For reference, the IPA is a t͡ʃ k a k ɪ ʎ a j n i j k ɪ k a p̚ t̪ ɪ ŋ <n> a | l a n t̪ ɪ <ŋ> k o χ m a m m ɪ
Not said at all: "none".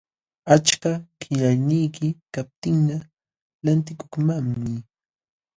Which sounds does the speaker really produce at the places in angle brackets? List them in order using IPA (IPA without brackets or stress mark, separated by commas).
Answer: n, none